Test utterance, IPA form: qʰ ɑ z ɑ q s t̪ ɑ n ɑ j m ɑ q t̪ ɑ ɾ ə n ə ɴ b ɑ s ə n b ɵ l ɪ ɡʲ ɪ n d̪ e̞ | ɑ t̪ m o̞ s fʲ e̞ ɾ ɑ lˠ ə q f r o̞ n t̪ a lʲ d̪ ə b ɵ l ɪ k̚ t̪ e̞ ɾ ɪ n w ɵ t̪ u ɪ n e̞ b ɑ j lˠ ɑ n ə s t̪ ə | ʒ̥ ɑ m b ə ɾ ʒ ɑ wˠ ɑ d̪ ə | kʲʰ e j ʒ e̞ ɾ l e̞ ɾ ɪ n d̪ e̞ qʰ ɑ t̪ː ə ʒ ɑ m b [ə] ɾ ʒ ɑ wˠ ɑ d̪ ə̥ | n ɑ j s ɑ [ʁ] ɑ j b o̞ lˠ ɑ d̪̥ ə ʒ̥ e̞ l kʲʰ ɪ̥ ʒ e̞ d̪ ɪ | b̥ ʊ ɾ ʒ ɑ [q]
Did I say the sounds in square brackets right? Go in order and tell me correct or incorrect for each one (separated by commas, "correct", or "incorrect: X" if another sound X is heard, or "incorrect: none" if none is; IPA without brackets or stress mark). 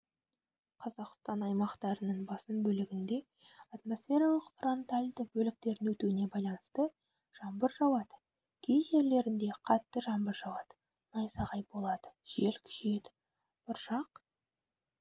correct, correct, correct